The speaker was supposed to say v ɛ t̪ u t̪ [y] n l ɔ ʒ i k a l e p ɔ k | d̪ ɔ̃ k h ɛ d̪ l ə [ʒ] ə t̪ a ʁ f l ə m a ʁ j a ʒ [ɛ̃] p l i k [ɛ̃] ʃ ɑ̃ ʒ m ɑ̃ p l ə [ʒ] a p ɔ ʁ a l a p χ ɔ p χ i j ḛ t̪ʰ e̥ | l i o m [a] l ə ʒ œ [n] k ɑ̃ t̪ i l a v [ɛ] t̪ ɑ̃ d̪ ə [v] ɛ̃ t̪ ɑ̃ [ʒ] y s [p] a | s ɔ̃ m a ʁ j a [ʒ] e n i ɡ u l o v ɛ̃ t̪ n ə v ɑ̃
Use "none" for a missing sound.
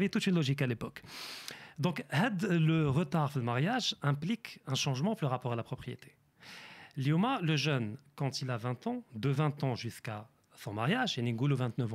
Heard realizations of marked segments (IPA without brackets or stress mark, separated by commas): y, ʁ, ɛ̃, ɛ̃, ʁ, a, n, ɛ̃, v, ʒ, k, ʒ